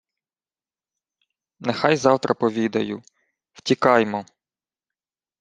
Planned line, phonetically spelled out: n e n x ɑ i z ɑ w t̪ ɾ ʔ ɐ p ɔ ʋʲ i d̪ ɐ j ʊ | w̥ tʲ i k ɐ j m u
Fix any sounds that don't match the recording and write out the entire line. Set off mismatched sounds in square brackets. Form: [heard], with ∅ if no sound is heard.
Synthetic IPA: n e [∅] x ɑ [j] z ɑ w t̪ ɾ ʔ ɐ p ɔ ʋʲ i d̪ ɐ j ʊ | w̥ tʲ i k [ɑ] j m [ɔ]